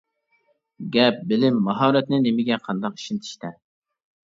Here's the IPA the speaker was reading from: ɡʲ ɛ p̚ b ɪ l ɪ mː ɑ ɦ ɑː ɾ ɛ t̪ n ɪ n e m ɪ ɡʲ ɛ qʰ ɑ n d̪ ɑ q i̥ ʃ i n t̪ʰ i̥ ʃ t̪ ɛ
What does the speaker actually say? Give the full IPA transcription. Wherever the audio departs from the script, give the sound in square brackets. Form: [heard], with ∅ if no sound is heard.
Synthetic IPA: ɡʲ ɛ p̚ b ɪ l ɪ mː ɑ ɦ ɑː ɾ ɛ t̪ n ɪ n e m ɪ ɡʲ ɛ qʰ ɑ n d̪ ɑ q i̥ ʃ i n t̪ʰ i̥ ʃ t̪ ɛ